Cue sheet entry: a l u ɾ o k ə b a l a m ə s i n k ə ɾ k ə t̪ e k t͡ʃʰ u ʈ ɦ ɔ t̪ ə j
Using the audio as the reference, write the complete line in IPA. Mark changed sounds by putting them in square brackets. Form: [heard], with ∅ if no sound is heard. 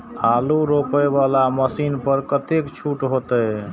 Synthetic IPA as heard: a l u ɾ o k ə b a l a m ə s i n [p] ə ɾ k ə t̪ e k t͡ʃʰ u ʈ ɦ [o] t̪ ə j